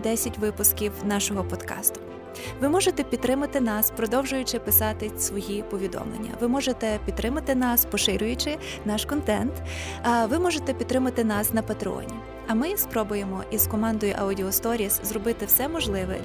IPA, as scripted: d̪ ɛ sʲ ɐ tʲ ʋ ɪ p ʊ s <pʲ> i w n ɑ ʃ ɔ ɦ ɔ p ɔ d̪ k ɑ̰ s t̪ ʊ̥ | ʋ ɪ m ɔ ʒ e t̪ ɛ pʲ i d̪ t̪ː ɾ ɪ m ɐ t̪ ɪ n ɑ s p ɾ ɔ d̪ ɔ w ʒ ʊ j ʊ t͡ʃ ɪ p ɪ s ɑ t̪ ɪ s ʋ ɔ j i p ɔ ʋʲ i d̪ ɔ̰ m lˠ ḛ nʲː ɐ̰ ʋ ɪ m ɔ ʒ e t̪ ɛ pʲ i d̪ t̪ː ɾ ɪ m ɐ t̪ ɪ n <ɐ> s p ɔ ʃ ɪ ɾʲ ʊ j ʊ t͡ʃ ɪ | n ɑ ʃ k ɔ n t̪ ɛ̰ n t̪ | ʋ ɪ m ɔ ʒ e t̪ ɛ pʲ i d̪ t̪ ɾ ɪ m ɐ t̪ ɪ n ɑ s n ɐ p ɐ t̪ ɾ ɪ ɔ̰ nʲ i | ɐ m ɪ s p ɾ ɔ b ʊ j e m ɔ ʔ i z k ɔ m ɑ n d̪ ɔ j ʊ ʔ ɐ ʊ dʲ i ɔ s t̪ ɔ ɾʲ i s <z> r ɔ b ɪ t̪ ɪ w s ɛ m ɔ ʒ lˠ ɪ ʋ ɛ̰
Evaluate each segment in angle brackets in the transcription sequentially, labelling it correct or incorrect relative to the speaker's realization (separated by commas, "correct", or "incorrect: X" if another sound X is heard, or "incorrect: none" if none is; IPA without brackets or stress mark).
incorrect: kʲ, incorrect: ɑ, correct